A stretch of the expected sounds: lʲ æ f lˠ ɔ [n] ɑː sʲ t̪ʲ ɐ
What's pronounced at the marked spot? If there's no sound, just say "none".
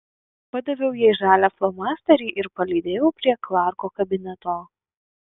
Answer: m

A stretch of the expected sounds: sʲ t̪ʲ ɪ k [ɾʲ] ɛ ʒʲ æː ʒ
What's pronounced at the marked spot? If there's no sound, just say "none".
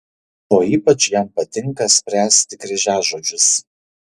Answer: ɾʲ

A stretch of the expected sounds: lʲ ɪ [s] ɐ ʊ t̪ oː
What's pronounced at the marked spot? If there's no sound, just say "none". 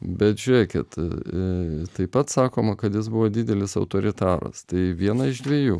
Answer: s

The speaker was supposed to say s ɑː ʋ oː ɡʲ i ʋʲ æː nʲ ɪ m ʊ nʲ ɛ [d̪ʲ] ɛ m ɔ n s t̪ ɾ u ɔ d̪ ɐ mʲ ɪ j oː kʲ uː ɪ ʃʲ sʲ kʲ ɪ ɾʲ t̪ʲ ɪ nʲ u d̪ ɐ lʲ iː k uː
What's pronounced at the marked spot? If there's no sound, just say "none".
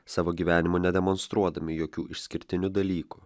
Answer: d̪ʲ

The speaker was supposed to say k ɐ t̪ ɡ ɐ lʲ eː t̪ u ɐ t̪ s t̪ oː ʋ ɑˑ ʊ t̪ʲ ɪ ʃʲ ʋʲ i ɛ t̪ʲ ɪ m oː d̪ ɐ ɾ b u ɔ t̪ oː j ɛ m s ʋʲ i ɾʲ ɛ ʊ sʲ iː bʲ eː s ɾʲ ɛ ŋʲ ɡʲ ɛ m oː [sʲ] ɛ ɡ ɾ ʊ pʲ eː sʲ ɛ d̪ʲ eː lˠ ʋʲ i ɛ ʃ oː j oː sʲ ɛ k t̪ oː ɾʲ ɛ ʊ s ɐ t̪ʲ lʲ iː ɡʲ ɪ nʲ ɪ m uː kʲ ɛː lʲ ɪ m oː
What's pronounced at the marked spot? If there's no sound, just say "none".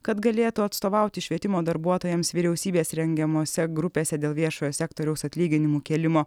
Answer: sʲ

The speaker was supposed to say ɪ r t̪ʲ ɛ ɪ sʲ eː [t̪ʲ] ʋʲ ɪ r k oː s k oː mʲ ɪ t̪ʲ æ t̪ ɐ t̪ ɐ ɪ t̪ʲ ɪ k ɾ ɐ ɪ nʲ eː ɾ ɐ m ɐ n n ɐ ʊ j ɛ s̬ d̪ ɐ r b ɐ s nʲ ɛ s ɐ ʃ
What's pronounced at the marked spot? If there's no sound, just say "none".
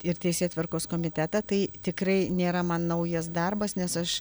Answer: t̪ʲ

